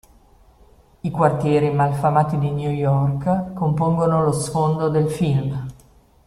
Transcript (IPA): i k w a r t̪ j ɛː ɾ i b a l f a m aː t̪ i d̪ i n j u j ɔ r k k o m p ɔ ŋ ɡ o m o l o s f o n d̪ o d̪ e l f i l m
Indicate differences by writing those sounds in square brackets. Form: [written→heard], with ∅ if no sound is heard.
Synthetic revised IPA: i k w a r t̪ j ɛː ɾ i [b→m] a l f a m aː t̪ i d̪ i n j u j ɔ r k k o m p [ɔ→o] ŋ ɡ o [m→n] o l o s f o n d̪ o d̪ e l f i l m